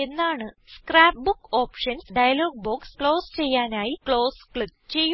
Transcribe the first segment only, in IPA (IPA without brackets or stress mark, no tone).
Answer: e̞